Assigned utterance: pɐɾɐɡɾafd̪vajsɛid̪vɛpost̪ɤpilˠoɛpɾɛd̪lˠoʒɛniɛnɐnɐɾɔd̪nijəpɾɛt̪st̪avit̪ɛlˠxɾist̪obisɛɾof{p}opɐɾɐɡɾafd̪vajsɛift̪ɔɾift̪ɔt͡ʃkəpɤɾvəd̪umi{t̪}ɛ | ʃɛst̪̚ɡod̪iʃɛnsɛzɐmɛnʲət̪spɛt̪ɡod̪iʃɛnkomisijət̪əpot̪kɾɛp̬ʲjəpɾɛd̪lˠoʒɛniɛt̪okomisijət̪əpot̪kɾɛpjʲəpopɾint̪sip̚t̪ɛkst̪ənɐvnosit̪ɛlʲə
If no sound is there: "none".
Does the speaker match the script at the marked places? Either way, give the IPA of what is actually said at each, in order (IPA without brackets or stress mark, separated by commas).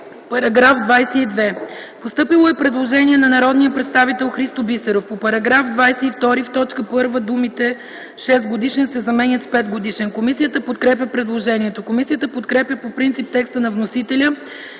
p, t̪